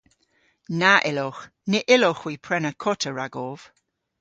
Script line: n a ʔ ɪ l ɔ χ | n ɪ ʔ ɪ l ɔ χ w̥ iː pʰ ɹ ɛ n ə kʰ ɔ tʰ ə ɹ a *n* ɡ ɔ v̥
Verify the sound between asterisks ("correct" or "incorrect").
incorrect